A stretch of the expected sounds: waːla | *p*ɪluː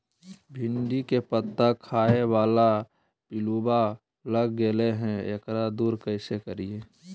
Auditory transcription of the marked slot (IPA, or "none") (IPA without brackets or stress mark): p